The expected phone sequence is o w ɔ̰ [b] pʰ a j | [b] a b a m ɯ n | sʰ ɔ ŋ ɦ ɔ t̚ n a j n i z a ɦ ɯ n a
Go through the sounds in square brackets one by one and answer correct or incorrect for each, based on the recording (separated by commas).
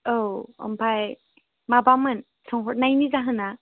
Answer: incorrect, incorrect